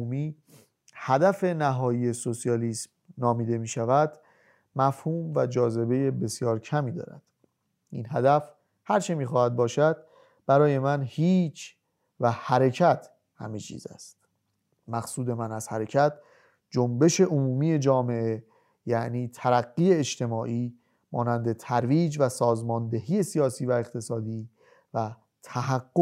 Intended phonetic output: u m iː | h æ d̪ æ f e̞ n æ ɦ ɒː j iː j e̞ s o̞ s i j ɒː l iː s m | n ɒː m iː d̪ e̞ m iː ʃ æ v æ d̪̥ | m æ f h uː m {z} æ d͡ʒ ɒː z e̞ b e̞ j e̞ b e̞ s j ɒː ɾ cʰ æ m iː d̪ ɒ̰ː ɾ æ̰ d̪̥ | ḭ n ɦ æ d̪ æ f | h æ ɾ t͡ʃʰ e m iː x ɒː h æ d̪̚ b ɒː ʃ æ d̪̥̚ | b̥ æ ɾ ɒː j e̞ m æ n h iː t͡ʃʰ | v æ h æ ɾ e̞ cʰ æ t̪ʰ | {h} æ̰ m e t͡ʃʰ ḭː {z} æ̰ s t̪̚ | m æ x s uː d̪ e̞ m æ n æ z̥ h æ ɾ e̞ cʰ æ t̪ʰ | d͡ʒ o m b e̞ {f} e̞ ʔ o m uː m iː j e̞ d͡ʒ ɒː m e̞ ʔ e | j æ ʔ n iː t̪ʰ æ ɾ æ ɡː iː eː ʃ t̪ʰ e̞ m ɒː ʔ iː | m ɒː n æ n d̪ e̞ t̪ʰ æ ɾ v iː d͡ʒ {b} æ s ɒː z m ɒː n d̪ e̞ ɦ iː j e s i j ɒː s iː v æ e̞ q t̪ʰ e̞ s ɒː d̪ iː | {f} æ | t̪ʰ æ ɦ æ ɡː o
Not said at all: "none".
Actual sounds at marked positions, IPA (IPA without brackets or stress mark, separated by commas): v, h, z, ʃ, v, v